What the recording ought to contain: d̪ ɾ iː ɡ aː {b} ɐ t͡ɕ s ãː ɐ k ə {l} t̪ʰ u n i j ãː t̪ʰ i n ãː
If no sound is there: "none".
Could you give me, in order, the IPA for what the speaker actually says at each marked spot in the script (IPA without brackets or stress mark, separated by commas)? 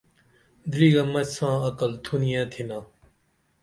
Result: m, l